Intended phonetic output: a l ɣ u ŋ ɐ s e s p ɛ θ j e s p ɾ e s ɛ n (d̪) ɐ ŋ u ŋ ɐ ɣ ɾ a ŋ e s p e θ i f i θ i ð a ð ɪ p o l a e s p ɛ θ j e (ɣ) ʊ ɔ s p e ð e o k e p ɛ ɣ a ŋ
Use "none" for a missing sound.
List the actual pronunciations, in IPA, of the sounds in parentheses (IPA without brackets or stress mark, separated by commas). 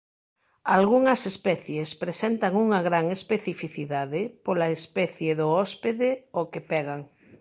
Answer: t̪, ð